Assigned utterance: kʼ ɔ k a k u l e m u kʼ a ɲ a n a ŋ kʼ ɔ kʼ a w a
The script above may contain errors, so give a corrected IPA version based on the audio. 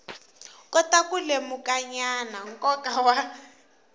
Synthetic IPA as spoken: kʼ ɔ t a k u l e m u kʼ a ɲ a n a ŋ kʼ ɔ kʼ a w a

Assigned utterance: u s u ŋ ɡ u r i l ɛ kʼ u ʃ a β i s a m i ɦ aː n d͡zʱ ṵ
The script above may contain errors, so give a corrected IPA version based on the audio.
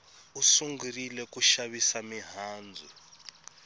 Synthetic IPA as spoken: u s u ŋ ɡ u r i l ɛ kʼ u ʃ a β i s a m i ɦ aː n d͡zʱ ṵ

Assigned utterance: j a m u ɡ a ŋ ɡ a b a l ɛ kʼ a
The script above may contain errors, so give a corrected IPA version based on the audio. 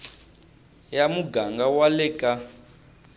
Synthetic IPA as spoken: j a m u ɡ a ŋ ɡ a w a l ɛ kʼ a

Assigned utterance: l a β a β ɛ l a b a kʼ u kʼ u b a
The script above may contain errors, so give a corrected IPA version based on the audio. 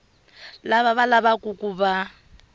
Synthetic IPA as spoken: l a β a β a l a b a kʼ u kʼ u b a

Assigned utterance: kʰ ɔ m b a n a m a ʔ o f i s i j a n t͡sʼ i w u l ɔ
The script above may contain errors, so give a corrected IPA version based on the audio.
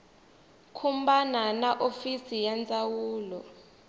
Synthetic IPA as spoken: kʰ u m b a n a n a ʔ o f i s i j a n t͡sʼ a w uː l ɔ

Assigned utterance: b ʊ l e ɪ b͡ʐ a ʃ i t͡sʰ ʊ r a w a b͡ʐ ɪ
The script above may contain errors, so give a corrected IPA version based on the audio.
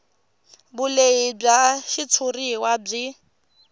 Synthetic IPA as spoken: b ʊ l e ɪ b͡ʐ a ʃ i t͡sʰ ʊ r i w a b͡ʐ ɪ

